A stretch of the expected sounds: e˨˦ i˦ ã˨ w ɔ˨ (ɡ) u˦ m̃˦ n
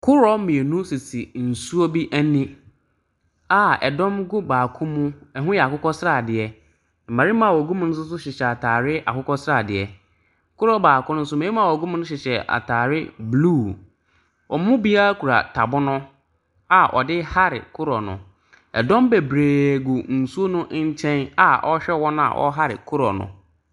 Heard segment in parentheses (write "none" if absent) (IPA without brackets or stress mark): ɡ